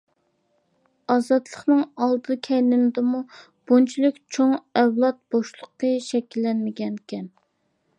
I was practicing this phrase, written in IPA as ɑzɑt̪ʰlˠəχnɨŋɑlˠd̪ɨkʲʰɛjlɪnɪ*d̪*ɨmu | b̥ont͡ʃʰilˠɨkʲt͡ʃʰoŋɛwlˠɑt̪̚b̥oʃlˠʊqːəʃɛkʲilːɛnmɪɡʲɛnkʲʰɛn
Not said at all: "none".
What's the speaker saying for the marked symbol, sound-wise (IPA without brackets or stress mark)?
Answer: d̪